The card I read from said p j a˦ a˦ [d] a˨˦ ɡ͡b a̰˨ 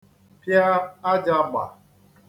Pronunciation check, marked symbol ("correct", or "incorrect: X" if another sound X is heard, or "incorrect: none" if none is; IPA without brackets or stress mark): incorrect: d͡ʒ